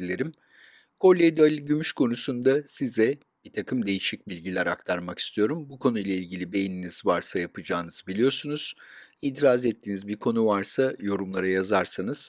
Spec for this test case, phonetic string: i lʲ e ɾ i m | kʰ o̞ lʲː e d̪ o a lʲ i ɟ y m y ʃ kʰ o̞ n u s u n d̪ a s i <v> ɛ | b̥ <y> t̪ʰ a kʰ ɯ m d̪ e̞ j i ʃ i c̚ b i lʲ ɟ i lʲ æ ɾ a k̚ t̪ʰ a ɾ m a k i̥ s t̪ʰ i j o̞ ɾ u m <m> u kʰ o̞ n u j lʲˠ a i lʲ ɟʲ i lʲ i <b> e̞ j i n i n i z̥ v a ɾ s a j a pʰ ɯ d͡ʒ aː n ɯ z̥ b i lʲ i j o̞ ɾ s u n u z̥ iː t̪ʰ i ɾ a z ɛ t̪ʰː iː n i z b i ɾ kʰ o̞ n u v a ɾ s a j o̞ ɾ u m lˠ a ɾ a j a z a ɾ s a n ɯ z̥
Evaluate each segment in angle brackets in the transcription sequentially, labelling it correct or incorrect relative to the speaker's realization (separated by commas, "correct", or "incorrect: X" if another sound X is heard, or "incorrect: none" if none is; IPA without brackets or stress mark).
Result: incorrect: z, incorrect: i, incorrect: b, correct